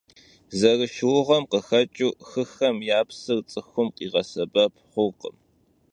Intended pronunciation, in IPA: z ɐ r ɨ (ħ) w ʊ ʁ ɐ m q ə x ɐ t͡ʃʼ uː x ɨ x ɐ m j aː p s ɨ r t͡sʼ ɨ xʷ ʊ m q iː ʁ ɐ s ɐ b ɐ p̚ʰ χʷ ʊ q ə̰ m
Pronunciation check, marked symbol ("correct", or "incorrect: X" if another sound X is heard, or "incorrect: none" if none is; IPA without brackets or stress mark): incorrect: ʃ